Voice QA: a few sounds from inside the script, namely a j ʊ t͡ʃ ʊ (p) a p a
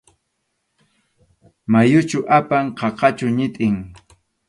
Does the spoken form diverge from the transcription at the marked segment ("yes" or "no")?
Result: yes